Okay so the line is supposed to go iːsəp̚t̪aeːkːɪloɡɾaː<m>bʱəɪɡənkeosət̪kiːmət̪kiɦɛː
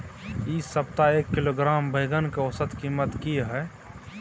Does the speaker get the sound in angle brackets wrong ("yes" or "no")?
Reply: no